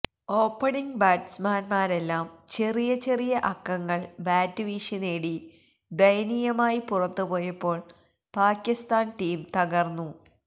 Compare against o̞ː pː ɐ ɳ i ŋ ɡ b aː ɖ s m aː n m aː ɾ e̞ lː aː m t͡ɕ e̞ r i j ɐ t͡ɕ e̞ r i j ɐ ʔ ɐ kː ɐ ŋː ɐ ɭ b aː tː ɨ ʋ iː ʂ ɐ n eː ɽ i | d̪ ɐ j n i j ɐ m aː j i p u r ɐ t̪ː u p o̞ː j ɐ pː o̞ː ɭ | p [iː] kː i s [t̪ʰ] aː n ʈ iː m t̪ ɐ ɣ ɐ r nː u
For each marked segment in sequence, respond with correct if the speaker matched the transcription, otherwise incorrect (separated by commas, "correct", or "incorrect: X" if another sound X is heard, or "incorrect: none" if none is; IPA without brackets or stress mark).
incorrect: aː, incorrect: t̪